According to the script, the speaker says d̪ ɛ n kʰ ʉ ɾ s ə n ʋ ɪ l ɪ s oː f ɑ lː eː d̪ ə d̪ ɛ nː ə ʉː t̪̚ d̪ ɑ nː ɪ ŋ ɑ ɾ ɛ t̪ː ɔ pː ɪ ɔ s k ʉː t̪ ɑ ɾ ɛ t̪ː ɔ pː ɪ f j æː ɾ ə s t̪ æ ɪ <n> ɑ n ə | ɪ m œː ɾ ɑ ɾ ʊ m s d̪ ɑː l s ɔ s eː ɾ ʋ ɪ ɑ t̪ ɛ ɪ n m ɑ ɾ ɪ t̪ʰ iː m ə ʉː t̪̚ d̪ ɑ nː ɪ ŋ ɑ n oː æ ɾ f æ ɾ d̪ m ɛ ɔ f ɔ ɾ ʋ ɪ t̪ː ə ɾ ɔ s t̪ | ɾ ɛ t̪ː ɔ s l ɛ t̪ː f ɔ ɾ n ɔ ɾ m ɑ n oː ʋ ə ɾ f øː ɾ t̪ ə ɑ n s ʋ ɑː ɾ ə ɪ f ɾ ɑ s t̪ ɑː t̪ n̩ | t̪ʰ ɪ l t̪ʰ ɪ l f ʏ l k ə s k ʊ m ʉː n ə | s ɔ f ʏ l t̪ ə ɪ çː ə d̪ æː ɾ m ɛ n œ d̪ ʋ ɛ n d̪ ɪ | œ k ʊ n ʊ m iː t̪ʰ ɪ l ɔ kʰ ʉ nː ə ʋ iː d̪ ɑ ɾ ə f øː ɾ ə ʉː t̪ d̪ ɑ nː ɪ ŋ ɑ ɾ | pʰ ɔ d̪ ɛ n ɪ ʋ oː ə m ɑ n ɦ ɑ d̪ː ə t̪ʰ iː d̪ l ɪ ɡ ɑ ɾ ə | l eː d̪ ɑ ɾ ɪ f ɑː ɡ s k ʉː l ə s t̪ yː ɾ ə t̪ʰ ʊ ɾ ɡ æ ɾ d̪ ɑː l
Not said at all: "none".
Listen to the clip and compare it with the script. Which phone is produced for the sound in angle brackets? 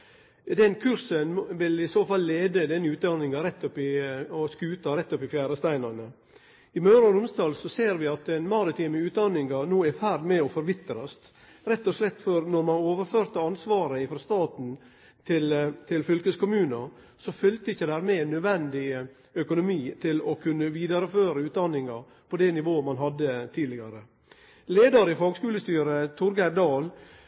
n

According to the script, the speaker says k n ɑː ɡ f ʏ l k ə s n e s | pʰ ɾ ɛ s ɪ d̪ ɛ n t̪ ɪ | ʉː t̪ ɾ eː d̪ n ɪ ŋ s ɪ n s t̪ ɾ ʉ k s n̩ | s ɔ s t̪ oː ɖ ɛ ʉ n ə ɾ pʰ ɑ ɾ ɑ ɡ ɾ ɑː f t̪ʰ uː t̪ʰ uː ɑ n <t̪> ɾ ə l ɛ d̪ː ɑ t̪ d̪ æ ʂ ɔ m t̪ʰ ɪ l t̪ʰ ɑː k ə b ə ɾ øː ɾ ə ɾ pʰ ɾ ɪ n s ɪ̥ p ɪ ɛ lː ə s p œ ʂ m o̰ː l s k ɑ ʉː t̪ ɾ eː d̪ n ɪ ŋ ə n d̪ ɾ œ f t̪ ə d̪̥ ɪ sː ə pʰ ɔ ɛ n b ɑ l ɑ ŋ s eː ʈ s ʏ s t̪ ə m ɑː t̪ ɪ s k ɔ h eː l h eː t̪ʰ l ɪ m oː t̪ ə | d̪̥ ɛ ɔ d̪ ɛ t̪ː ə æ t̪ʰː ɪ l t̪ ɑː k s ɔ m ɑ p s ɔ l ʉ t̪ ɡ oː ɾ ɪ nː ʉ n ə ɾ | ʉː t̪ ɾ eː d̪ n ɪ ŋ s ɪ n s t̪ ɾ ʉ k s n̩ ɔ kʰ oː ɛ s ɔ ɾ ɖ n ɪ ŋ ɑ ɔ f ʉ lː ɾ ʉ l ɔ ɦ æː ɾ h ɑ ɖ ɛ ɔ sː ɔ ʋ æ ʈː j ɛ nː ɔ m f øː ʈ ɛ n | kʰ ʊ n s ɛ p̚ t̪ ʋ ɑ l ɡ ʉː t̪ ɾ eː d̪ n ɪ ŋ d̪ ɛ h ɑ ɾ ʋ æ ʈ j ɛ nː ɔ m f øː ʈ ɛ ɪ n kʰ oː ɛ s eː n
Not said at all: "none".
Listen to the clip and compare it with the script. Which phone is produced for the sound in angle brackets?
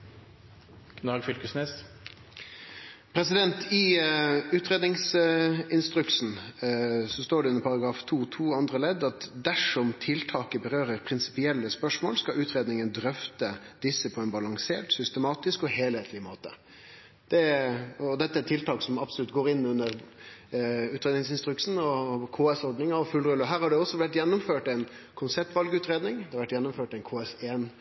d̪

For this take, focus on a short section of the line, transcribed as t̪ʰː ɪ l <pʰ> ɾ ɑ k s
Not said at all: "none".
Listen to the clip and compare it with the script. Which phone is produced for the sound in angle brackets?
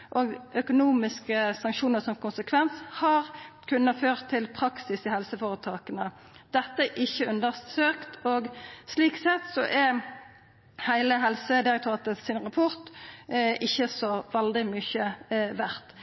pʰ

